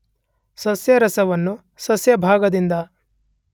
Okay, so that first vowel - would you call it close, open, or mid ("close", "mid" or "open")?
open